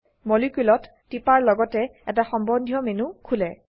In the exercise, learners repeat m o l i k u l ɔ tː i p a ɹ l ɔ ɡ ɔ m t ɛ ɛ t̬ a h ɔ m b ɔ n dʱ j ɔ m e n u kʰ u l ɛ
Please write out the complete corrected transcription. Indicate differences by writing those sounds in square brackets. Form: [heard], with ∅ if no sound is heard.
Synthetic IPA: m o l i k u l ɔ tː i p a ɹ l ɔ ɡ ɔ [∅] t ɛ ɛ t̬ a [x] ɔ m b ɔ n dʱ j ɔ m e n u kʰ u l ɛ